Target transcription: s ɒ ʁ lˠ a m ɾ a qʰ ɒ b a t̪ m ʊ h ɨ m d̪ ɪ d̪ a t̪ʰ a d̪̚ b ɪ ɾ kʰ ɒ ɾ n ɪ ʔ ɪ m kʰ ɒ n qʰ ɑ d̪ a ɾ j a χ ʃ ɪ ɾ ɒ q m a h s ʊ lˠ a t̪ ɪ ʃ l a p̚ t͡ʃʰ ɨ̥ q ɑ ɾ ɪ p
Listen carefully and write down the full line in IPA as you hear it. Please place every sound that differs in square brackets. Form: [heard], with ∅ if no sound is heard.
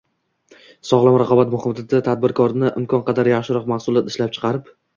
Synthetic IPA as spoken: s ɒ ʁ lˠ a m ɾ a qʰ ɒ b a t̪ m ʊ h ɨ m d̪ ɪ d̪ a t̪ʰ a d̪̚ b ɪ ɾ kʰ ɒ ɾ n ɪ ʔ ɪ m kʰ ɒ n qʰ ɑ d̪ a ɾ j a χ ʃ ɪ ɾ ɒ q m a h s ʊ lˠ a t̪ ɪ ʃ l a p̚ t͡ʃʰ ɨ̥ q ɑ ɾ ɪ p